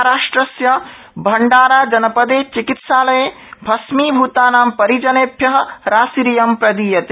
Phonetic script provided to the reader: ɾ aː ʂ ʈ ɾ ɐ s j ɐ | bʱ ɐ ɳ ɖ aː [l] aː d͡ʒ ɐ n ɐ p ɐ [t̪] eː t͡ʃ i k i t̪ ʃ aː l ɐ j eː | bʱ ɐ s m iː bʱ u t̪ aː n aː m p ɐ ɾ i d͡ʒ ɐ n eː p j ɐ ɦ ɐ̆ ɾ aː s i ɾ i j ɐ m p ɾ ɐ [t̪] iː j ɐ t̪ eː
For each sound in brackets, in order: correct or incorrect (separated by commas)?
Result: incorrect, incorrect, incorrect